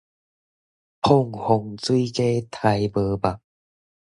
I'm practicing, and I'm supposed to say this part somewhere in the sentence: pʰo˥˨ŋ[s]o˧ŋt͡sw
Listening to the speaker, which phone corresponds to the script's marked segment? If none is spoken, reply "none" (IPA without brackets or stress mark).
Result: h